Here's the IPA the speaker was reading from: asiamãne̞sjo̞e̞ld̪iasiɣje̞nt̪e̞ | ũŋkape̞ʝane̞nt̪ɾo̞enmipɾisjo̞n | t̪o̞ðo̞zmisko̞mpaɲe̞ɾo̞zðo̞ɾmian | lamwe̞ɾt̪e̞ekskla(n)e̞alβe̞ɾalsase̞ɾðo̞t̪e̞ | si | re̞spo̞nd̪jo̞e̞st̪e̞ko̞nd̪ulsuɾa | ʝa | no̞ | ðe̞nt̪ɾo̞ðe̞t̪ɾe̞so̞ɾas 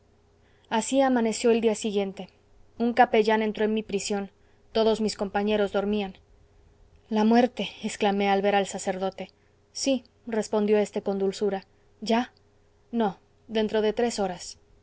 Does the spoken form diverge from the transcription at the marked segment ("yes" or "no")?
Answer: yes